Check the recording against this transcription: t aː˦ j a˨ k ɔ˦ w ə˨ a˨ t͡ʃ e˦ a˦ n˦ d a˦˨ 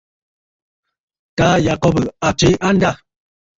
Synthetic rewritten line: t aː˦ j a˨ k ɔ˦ b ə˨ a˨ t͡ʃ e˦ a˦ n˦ d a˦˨